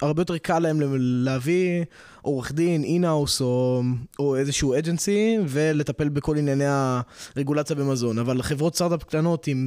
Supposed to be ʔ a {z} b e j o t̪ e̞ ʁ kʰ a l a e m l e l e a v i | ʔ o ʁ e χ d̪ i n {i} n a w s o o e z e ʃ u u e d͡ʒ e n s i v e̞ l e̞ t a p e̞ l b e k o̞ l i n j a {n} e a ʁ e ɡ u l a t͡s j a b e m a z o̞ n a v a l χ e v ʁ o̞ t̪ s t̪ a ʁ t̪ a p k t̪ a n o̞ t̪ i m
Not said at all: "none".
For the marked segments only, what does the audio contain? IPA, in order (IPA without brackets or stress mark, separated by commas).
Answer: ʁ, i, n